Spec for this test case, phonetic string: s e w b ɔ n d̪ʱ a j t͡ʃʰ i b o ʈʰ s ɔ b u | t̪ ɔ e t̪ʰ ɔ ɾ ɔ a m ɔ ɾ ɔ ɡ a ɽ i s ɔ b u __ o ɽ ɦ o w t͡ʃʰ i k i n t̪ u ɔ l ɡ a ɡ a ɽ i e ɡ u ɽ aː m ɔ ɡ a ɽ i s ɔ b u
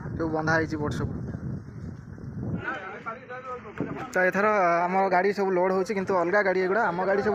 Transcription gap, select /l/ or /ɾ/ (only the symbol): l